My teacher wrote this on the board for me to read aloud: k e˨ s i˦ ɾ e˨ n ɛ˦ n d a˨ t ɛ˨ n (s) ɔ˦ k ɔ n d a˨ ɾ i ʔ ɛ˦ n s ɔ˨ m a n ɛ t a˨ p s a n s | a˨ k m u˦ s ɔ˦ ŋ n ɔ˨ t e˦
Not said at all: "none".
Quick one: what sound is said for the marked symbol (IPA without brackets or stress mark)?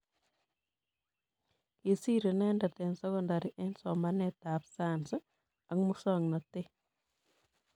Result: s